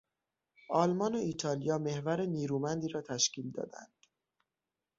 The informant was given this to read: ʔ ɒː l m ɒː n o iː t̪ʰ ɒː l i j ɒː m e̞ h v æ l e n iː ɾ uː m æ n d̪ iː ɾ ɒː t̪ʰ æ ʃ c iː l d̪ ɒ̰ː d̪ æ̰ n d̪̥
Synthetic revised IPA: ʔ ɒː l m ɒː n o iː t̪ʰ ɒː l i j ɒː m e̞ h v æ ɾ e n iː ɾ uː m æ n d̪ iː ɾ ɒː t̪ʰ æ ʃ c iː l d̪ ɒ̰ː d̪ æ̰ n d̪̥